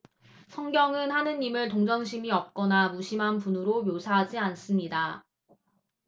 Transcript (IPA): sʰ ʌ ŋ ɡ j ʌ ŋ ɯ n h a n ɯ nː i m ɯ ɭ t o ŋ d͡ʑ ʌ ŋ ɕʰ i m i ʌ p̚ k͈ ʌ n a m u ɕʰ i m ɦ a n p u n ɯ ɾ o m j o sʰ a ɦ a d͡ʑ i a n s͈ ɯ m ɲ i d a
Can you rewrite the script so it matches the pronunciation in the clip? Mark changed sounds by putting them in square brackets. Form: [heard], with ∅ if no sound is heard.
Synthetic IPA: sʰ ʌ ŋ ɡ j ʌ ŋ ɯ n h a n ɯ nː i m ɯ ɭ t o ŋ d͡ʑ ʌ ŋ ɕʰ i m i ʌ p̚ k͈ ʌ n a m u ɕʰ i m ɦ a n p u n ɯ ɾ o m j o sʰ a ɦ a d͡ʑ i a n s͈ ɯ m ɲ i d a